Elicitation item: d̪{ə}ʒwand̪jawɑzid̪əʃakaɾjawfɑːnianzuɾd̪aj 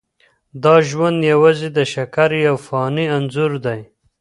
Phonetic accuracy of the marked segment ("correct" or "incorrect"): incorrect